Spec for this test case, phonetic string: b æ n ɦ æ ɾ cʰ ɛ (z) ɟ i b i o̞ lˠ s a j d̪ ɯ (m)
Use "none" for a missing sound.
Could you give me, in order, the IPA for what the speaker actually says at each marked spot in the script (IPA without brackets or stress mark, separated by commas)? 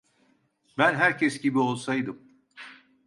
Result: s, m